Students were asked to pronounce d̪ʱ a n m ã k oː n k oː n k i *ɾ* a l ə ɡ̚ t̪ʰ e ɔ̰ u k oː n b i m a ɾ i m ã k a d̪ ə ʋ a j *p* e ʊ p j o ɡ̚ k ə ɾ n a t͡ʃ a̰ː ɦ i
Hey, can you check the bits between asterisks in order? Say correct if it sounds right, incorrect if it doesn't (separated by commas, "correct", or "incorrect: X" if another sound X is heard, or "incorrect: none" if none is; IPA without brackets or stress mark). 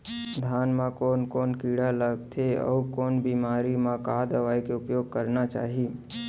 incorrect: ɽ, incorrect: k